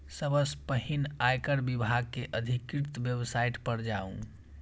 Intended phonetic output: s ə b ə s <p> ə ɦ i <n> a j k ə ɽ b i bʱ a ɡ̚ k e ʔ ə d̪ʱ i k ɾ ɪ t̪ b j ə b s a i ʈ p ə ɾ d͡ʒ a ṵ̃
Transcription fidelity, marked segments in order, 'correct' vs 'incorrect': correct, correct

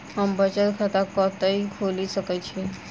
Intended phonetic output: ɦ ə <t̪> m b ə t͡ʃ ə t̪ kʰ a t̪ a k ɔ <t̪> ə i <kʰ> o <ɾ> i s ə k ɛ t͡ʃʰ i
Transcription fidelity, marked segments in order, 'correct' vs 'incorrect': incorrect, correct, correct, incorrect

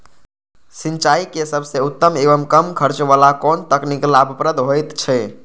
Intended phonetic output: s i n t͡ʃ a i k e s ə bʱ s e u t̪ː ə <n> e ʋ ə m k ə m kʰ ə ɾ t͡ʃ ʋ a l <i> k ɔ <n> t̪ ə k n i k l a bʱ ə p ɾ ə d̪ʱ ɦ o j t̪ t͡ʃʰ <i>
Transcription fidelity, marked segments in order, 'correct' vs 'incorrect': incorrect, incorrect, correct, incorrect

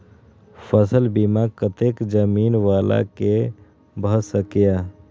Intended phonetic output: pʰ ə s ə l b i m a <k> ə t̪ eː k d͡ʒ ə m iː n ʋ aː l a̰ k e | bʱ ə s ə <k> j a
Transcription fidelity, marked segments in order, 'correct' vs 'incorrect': correct, correct

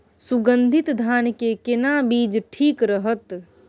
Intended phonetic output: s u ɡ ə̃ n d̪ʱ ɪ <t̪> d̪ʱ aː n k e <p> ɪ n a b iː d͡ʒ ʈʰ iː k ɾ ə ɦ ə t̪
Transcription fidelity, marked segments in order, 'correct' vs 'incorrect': correct, incorrect

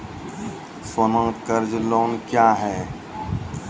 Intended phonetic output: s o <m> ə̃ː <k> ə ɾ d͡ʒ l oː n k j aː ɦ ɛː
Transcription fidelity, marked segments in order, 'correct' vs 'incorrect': incorrect, correct

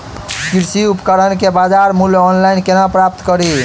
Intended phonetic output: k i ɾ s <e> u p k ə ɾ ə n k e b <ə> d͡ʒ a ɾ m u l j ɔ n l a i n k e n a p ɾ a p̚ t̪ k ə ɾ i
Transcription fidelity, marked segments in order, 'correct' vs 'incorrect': incorrect, incorrect

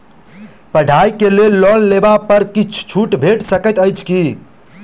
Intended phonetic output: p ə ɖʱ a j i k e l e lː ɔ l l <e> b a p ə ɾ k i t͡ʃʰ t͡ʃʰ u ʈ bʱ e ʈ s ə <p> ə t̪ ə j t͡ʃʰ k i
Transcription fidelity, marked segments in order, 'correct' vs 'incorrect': correct, incorrect

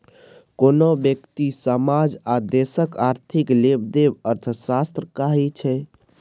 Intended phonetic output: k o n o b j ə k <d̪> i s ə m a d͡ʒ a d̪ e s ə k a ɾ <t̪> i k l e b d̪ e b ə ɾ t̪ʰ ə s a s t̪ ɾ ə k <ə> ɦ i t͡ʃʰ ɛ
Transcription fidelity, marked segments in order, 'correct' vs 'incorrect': incorrect, incorrect, incorrect

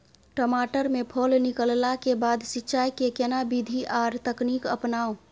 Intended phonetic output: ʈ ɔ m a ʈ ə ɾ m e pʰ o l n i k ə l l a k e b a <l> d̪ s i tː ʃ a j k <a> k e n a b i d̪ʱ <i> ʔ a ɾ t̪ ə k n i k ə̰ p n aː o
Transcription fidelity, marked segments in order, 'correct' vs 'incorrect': incorrect, incorrect, correct

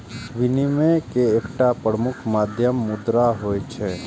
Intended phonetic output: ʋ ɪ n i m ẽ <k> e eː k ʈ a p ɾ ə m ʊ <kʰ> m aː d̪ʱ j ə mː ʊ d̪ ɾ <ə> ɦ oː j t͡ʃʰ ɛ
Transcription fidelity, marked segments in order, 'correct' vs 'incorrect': correct, correct, incorrect

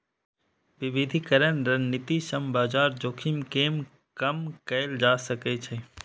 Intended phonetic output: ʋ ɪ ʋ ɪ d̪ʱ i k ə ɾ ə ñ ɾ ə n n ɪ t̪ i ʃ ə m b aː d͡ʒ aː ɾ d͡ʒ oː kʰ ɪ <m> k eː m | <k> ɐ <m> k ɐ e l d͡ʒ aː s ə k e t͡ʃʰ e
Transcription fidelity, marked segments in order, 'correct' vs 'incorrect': correct, correct, correct

